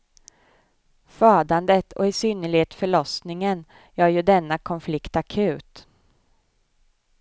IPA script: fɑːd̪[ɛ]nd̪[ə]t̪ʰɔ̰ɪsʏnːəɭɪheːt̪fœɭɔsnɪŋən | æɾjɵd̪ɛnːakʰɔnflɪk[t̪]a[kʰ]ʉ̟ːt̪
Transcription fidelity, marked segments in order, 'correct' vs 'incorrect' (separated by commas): incorrect, correct, correct, correct